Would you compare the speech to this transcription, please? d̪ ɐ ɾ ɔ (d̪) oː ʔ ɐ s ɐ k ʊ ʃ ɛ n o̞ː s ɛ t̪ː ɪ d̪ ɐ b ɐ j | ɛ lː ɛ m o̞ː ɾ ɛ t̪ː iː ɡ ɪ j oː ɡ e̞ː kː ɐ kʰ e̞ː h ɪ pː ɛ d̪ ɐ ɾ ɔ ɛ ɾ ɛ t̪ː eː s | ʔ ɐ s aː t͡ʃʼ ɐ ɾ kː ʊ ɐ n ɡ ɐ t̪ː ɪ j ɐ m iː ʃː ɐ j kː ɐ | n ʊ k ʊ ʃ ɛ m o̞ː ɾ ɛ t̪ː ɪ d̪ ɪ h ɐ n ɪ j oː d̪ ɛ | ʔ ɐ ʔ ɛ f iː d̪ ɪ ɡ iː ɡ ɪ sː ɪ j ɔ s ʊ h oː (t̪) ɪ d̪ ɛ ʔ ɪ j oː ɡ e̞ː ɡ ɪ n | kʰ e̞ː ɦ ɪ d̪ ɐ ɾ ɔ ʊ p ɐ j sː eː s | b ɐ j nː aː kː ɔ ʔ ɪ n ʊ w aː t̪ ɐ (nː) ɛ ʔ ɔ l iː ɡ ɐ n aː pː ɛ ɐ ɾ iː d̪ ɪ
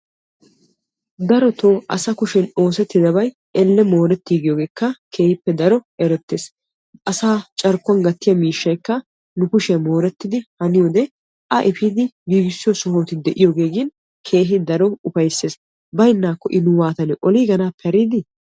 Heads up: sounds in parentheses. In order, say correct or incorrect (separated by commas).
incorrect, correct, incorrect